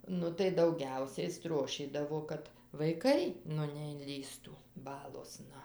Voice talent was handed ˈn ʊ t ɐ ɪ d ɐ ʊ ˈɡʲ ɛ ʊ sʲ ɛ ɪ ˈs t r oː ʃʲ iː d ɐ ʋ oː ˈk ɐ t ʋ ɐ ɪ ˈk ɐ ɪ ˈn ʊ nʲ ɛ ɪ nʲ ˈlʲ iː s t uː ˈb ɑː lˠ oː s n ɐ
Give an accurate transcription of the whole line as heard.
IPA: ˈn ʊ t ɐ ɪ d ɐ ʊ ˈɡʲ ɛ ʊ sʲ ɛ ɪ ˈs t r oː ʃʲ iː d ɐ ʋ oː ˈk ɐ t ʋ ɐ ɪ ˈk ɐ ɪ ˈn ʊ nʲ ɛ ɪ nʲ ˈlʲ iː s t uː ˈb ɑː lˠ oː s n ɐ